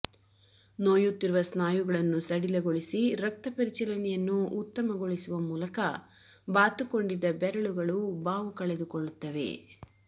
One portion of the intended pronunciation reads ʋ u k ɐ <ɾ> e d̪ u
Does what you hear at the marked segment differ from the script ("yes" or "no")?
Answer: yes